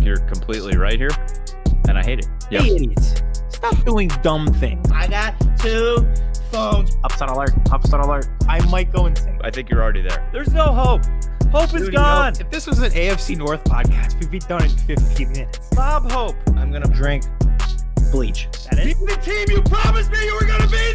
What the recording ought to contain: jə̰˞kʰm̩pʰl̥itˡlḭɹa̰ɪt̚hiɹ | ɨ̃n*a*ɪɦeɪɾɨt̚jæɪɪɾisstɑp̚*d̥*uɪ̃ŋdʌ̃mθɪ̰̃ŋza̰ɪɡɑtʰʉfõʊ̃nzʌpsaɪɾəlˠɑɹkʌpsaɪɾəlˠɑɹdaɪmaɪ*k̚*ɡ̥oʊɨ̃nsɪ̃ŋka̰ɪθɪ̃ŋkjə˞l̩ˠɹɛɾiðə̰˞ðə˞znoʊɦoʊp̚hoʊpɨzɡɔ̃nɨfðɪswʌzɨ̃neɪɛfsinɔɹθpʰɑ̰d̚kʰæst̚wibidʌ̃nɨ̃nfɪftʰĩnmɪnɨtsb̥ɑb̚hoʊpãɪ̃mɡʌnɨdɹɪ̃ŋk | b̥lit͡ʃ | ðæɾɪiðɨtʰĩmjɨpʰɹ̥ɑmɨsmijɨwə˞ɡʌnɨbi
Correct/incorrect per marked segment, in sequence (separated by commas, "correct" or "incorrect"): correct, correct, incorrect